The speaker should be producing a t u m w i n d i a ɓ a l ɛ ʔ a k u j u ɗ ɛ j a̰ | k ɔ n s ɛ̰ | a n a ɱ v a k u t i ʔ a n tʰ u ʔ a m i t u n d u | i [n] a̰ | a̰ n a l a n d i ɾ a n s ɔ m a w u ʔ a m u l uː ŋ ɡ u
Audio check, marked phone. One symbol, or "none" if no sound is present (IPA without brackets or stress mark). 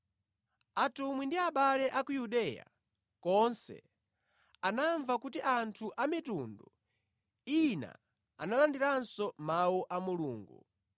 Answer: n